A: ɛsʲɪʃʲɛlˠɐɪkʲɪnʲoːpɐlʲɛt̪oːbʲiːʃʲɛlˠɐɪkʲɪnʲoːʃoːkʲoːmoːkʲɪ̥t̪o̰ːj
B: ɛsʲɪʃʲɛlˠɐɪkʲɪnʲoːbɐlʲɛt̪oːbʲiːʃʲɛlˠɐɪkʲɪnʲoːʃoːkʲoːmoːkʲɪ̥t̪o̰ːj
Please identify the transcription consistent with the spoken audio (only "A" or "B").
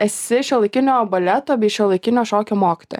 B